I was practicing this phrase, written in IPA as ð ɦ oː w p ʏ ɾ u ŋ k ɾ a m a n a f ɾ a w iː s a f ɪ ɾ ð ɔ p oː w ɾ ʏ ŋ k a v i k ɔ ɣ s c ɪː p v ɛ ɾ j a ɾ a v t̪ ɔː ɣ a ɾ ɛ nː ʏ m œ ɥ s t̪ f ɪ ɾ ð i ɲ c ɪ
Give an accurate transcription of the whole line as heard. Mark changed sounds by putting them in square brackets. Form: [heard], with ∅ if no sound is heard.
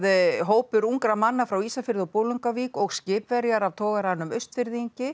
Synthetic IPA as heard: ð ɦ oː w p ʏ ɾ u ŋ k ɾ a m a [nː] a f ɾ a w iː s a f ɪ ɾ ð ɔ p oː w [l] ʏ ŋ k a v i k ɔ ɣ s c ɪː p v ɛ ɾ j a ɾ a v [t̪ʰ] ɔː ɣ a ɾ [a] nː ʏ m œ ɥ s t̪ f ɪ ɾ ð i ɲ c ɪ